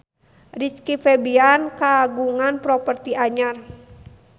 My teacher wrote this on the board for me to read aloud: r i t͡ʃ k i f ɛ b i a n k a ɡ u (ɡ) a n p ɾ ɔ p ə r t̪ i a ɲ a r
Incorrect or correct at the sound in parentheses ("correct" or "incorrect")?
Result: incorrect